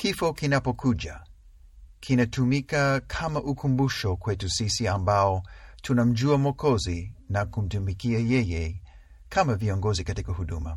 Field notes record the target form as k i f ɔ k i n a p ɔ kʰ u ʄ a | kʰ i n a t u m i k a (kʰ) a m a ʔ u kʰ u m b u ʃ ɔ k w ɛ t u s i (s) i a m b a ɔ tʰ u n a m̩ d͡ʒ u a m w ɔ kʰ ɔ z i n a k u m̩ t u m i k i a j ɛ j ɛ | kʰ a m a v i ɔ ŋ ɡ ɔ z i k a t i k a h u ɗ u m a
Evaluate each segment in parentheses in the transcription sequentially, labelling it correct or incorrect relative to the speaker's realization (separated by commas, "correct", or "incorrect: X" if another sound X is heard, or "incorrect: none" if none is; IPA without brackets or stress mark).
correct, correct